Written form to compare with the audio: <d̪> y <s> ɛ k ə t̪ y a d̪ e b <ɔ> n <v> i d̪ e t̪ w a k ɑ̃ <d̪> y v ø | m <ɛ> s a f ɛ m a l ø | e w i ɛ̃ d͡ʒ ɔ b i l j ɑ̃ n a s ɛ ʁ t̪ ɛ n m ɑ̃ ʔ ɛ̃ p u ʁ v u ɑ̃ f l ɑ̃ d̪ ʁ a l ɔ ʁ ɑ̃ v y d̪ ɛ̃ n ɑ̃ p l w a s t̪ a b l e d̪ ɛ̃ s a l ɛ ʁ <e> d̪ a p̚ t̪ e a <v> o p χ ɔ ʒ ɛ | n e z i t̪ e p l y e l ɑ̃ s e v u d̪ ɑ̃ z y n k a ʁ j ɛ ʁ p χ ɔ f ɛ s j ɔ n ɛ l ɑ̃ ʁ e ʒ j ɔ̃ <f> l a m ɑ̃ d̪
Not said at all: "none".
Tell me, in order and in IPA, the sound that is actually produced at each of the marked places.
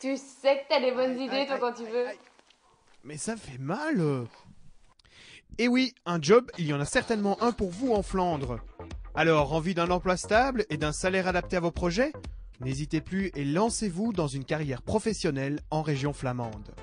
t̪, s, ɔ, z, t̪, ɛ, a, v, f

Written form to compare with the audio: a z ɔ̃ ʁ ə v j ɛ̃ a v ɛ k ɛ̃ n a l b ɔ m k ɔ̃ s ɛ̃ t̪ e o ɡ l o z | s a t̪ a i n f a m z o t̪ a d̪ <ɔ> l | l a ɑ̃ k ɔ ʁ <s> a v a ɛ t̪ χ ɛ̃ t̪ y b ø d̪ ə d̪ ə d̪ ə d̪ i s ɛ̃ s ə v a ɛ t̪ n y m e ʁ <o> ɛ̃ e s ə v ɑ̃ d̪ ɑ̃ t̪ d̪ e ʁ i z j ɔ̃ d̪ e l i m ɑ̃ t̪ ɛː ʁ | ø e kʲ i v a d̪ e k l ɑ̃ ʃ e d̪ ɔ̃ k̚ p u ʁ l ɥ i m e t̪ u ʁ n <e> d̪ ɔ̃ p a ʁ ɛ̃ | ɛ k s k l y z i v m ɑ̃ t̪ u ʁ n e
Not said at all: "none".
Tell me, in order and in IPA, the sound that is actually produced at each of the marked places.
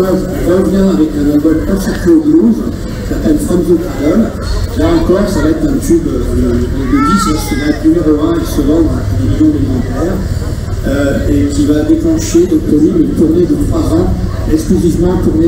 ɔ, s, o, e

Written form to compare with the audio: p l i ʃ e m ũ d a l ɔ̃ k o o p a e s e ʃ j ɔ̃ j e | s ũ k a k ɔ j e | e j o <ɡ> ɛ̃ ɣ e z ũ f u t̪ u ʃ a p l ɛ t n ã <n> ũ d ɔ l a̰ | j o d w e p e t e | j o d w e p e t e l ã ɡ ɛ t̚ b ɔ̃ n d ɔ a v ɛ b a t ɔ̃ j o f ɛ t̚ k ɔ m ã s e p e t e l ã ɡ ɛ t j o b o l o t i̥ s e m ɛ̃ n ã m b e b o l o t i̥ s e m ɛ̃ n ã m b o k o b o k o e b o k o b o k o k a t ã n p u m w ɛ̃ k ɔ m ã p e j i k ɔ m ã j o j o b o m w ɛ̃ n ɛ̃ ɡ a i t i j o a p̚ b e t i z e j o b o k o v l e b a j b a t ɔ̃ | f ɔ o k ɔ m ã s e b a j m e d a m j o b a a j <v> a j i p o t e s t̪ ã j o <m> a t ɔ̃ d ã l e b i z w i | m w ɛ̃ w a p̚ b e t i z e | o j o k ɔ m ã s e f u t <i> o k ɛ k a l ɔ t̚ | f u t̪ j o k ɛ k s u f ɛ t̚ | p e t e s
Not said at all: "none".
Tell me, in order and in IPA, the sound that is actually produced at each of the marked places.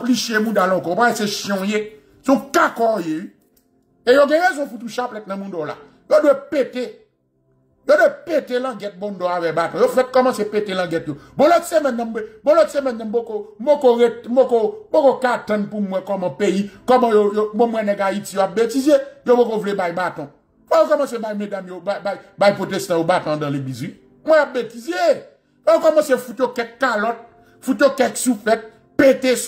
ɡ, m, b, b, j

